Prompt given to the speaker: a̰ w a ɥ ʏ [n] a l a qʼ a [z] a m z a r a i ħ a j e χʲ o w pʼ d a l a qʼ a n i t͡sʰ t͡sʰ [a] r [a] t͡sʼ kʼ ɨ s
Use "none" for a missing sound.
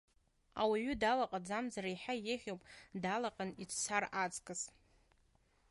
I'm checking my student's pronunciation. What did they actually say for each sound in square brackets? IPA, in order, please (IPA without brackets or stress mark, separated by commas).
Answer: d, d͡z, a, a